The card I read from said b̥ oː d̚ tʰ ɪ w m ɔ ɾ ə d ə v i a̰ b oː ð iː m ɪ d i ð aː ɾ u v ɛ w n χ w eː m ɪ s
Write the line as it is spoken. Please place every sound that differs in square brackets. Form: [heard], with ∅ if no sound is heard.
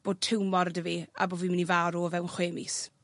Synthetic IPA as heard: b̥ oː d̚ tʰ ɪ w m ɔ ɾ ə d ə v i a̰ b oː [v] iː m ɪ [n] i [v] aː ɾ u v ɛ w n χ w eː m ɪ s